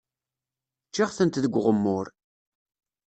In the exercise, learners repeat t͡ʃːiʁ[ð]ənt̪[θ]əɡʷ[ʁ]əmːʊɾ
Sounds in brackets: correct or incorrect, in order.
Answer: incorrect, incorrect, correct

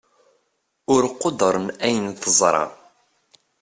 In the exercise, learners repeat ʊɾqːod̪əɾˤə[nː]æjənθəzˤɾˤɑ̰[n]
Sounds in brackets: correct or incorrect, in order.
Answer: incorrect, incorrect

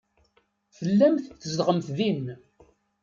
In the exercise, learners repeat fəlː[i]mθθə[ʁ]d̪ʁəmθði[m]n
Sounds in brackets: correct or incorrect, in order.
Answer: incorrect, incorrect, incorrect

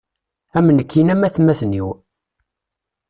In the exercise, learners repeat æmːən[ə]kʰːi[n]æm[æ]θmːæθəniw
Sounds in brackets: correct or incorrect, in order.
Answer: correct, correct, correct

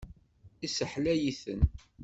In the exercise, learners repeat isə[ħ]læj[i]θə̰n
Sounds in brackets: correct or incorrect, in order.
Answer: correct, correct

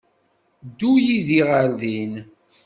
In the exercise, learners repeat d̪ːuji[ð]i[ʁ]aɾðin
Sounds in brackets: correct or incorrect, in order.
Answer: correct, correct

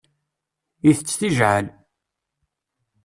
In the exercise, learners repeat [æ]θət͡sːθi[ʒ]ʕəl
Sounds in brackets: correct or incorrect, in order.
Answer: incorrect, correct

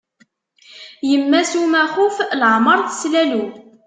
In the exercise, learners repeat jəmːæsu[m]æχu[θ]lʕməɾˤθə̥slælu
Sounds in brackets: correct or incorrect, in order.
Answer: correct, incorrect

